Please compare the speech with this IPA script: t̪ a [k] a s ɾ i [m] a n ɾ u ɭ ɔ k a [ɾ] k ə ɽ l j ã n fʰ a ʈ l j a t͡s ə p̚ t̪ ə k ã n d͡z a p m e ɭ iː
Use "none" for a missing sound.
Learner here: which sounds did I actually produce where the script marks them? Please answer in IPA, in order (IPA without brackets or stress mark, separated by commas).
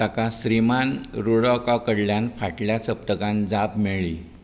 k, m, none